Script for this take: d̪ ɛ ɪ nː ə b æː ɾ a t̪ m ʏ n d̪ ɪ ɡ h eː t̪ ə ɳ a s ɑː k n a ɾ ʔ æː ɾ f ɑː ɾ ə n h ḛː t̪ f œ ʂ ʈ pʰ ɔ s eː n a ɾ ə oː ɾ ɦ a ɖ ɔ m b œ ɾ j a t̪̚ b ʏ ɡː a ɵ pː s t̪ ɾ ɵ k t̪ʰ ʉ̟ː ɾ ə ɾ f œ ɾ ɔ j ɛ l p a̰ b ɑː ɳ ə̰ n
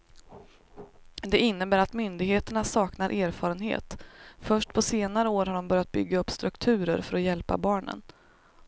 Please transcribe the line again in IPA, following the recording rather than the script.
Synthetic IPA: d̪ ɛ ɪ nː ə b æː ɾ a t̪ m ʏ n d̪ ɪ ɡ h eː t̪ ə ɳ a s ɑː k n a ɾ ʔ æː ɾ f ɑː ɾ ə n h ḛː t̪ f œ ʂ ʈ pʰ ɔ s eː n a ɾ ə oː ɾ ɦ a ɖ ɔ m b œ ɾ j a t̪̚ b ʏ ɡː a ɵ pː s t̪ ɾ ɵ k t̪ʰ ʉ̟ː ɾ ə ɾ f œ ɾ ɔ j ɛ l p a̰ b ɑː ɳ ə̰ n